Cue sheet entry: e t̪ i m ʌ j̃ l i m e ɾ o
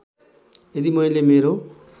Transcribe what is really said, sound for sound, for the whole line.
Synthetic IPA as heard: e d̪ i m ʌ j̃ l e m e ɾ o